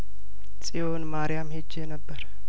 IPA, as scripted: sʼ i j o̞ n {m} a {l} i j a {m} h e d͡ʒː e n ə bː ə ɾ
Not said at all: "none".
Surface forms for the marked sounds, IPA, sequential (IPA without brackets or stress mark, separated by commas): m, ɾ, m